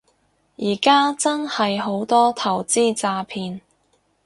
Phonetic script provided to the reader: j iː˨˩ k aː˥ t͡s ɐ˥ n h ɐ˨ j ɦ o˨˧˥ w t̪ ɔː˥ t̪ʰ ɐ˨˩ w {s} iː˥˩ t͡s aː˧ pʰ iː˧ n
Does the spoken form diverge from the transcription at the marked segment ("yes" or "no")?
yes